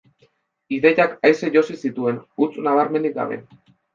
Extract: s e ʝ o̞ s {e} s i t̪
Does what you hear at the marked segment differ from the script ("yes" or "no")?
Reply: yes